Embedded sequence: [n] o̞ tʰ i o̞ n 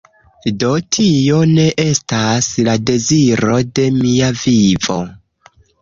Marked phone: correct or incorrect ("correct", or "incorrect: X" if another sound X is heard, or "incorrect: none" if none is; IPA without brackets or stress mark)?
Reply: incorrect: d